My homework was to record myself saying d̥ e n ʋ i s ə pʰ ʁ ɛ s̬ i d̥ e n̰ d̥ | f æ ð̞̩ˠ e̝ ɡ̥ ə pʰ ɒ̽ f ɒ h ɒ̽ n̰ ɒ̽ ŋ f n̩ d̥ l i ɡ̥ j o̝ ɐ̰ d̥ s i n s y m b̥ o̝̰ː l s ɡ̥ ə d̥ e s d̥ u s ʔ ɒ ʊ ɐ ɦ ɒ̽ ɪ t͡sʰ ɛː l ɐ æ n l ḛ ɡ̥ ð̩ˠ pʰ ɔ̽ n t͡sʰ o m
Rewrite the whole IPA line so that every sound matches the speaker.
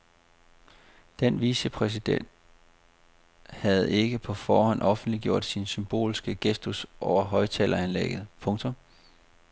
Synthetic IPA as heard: d̥ e n ʋ i s ə pʰ ʁ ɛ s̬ i d̥ e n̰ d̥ | h æ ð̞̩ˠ e̝ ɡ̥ ə pʰ ɒ̽ f ɒː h ɒ̽ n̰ ɒ̽ f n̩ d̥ l i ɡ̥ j o̝ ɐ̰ d̥ s i n s y m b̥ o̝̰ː l s ɡ̥ ə ɡ̥ e s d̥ u s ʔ ɒ ʊ ɐ ɦ ɒ̽ ɪ t͡sʰ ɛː l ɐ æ n l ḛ ɡ̥ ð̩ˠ pʰ ɔ̽ ŋ t͡sʰ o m